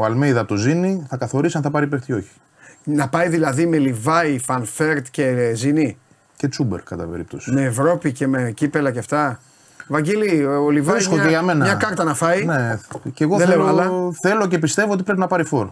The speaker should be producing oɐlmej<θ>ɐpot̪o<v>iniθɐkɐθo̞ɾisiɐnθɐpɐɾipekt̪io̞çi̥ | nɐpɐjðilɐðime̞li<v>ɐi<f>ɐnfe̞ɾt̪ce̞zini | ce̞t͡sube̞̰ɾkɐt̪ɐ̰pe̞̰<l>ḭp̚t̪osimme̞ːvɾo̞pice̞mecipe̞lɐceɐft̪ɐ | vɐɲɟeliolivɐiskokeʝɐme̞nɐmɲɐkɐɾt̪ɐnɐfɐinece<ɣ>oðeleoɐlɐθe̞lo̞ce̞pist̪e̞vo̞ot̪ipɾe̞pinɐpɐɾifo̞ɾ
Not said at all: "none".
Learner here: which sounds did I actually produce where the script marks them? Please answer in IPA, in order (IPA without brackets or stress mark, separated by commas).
ð, z, v, f, ɾ, ɣ